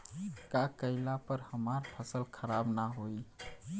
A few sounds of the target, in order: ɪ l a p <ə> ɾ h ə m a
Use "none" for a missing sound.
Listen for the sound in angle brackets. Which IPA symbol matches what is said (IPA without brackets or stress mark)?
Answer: ə